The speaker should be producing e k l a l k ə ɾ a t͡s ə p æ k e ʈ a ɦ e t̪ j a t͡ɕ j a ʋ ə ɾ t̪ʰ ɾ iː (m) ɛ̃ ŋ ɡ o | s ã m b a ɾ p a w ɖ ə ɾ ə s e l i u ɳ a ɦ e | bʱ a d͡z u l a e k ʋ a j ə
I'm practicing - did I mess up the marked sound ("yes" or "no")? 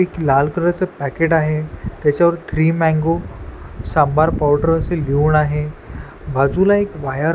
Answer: no